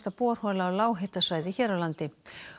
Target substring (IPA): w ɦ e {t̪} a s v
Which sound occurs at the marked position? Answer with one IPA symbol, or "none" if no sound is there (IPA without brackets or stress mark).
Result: t̪